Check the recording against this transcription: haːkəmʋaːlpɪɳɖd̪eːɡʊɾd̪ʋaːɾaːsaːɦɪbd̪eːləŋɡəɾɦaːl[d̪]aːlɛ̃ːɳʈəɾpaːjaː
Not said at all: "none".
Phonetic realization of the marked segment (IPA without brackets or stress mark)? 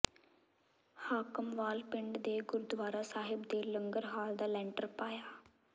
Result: d̪